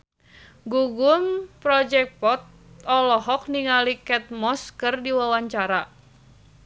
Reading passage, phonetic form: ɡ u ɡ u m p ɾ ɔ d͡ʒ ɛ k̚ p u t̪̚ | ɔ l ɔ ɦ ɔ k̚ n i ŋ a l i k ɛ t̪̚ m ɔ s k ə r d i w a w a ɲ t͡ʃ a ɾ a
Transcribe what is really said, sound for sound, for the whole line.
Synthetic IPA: ɡ u ɡ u m p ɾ ɔ d͡ʒ ɛ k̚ p ɔ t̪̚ | ɔ l ɔ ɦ ɔ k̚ n i ŋ a l i k ɛ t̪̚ m ɔ s k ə r d i w a w a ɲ t͡ʃ a ɾ a